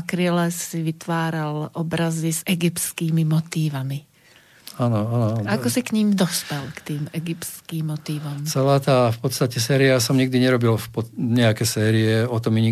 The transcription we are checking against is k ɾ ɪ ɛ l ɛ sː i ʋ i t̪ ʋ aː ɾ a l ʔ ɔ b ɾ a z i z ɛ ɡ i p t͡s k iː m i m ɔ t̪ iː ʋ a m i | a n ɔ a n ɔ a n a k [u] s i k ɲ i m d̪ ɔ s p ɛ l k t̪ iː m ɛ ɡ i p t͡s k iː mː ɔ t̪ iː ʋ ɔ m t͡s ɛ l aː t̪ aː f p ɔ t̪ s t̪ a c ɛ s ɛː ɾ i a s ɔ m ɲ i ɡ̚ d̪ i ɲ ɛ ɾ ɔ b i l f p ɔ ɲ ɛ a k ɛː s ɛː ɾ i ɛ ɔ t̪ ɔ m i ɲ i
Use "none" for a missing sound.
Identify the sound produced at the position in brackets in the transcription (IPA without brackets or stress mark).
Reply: ɔ